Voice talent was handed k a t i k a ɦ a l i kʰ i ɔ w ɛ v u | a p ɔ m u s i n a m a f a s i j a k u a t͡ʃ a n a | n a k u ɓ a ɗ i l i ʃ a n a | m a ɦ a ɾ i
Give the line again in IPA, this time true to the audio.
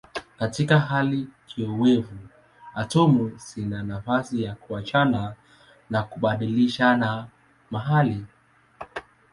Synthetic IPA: k a t i k a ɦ a l i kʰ i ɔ w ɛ v u | a t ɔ m u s i n a n a f a s i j a k u a t͡ʃ a n a | n a k u ɓ a ɗ i l i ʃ a n a | m a ɦ a l i